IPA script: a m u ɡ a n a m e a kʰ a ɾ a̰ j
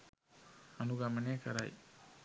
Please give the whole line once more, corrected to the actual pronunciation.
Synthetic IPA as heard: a n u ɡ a m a n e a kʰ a ɾ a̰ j